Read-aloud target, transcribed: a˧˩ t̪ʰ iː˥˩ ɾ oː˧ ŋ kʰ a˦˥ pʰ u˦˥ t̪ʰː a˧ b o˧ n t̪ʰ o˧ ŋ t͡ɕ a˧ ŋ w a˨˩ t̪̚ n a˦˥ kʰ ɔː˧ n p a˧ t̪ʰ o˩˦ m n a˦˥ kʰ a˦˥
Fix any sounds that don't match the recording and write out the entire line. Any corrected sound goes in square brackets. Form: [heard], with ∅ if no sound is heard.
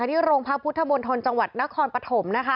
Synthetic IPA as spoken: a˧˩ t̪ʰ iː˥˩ ɾ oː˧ ŋ [pʰ] a˦˥ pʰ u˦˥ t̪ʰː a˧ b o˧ n t̪ʰ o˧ [n] t͡ɕ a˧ ŋ w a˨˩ t̪̚ n a˦˥ kʰ ɔː˧ n p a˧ t̪ʰ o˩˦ m n a˦˥ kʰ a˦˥